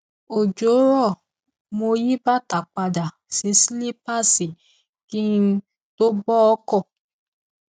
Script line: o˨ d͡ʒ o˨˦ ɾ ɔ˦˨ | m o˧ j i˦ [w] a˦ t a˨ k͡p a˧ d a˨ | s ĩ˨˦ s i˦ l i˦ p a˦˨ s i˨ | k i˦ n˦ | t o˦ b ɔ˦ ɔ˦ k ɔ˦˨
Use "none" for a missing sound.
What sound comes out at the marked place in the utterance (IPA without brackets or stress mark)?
b